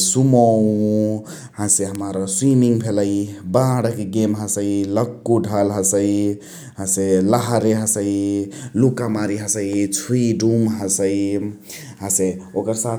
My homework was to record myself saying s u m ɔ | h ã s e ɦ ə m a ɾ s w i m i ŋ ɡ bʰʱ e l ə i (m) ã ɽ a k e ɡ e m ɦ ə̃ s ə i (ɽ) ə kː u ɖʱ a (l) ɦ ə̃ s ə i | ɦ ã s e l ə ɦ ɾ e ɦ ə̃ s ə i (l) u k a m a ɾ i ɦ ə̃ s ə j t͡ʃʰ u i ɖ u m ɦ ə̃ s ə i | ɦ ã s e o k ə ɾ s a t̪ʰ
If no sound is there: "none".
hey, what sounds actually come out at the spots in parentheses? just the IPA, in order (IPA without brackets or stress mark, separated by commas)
b, l, l, l